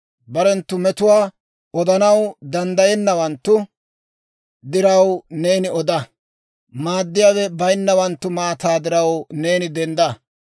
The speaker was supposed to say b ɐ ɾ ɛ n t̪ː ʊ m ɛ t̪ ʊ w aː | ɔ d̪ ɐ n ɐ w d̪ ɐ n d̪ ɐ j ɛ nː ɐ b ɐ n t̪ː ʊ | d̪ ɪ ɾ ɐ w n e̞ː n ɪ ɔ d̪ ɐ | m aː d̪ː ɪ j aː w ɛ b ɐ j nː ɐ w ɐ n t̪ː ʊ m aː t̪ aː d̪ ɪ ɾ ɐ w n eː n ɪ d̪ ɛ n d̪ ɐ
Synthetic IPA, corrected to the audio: b ɐ ɾ ɛ n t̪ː ʊ m ɛ t̪ ʊ w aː | ɔ d̪ ɐ n ɐ w d̪ ɐ n d̪ ɐ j ɛ nː ɐ w ɐ n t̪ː ʊ | d̪ ɪ ɾ ɐ w n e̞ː n ɪ ɔ d̪ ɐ | m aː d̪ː ɪ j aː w ɛ b ɐ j nː ɐ w ɐ n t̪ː ʊ m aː t̪ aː d̪ ɪ ɾ ɐ w n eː n ɪ d̪ ɛ n d̪ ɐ